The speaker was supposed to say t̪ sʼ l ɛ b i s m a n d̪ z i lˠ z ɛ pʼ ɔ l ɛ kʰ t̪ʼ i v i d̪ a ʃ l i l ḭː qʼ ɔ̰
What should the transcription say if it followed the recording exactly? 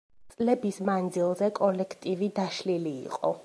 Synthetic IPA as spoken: t̪ sʼ l ɛ b i s m a n d̪ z i lˠ z ɛ kʼ ɔ l ɛ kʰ t̪ʼ i v i d̪ a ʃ l i l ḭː qʼ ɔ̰